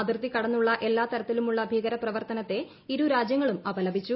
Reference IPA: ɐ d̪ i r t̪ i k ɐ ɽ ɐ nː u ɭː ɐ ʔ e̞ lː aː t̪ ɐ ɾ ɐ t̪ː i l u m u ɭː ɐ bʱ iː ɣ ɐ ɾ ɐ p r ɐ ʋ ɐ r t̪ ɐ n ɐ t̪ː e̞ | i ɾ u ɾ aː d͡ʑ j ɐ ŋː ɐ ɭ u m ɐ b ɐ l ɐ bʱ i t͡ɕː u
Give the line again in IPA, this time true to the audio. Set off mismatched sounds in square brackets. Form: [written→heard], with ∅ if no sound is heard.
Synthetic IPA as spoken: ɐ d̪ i r t̪ i k ɐ ɽ ɐ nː u ɭː ɐ ʔ e̞ lː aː t̪ ɐ ɾ ɐ t̪ː i l u m u ɭː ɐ bʱ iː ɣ ɐ ɾ ɐ p r ɐ ʋ ɐ r t̪ ɐ n ɐ t̪ː e̞ | i ɾ u ɾ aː d͡ʑ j ɐ ŋː ɐ ɭ u m ɐ b ɐ l ɐ bʱ i t͡ɕː u